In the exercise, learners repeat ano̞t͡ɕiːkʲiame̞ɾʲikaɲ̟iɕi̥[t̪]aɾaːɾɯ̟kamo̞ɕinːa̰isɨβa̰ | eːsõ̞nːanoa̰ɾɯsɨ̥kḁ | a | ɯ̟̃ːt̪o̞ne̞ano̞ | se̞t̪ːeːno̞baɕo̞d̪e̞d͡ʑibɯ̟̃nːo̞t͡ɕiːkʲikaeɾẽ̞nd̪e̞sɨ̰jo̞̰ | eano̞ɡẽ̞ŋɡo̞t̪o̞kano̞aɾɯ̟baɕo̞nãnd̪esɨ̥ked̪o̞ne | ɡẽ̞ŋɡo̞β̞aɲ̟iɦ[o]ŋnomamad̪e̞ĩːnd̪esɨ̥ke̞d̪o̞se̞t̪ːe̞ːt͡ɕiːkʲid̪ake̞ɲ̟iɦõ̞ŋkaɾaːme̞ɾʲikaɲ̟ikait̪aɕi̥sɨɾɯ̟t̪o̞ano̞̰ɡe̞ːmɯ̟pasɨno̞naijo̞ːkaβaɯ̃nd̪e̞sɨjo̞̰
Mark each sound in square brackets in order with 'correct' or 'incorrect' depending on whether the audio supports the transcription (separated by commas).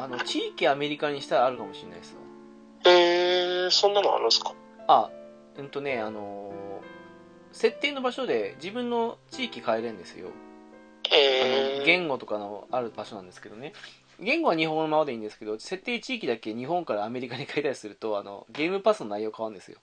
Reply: correct, incorrect